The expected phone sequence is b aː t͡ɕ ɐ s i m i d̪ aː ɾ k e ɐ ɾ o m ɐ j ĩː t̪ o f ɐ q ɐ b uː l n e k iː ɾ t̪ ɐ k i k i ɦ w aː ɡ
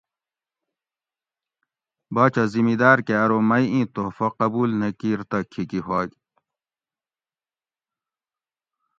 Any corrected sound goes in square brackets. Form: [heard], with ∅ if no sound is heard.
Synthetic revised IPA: b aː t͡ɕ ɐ [z] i m i d̪ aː ɾ k e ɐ ɾ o m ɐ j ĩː t̪ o f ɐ q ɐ b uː l n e k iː ɾ t̪ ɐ [kʰ] i k i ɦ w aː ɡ